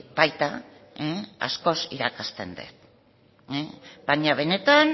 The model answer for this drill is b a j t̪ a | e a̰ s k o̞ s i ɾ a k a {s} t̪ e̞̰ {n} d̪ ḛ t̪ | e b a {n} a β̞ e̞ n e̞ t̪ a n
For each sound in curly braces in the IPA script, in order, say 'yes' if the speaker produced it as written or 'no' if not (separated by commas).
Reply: yes, yes, no